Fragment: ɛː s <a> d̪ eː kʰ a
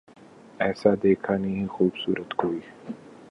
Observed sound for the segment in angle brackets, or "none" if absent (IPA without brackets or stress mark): a